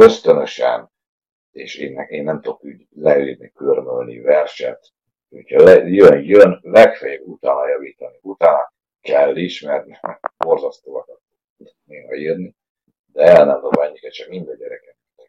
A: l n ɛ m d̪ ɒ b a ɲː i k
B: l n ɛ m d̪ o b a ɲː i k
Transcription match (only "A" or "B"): B